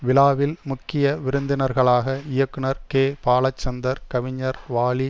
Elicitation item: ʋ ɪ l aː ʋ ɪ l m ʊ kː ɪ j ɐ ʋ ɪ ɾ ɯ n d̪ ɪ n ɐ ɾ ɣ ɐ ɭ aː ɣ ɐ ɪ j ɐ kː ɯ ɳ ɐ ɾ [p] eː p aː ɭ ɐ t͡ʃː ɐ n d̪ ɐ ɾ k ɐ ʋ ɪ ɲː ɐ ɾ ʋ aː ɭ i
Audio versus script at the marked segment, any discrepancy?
yes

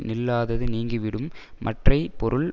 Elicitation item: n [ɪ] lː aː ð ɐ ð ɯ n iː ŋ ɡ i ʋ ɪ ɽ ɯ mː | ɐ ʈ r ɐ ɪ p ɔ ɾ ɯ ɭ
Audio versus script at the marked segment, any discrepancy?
no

